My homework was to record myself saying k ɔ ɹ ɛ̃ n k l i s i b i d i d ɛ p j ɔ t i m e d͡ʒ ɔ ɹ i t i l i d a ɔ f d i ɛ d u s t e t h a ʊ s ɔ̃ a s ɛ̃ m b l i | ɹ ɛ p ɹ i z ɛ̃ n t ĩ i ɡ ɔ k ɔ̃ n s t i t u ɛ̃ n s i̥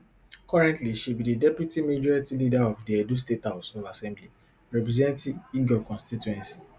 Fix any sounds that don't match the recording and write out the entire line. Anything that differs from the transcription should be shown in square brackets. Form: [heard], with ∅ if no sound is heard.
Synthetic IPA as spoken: k ɔ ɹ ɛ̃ n [t] l i [ʃ] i b i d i d ɛ p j [u] t i m e d͡ʒ ɔ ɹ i t i l i d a ɔ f d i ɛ d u s t e t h a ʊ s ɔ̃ a s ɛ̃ m b l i | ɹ ɛ p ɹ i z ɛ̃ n t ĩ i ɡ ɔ k ɔ̃ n s t i t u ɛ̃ n s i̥